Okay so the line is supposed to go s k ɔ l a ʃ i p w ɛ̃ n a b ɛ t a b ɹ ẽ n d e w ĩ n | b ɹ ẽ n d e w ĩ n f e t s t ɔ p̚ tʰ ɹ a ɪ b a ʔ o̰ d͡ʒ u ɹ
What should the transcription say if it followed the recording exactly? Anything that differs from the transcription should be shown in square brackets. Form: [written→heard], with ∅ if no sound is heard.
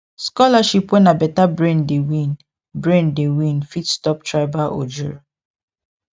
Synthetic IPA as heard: s k ɔ l a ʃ i p w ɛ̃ n a b ɛ t a b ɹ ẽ n d e w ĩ n | b ɹ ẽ n d e w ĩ n f [e→i] t s t ɔ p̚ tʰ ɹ a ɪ b a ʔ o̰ d͡ʒ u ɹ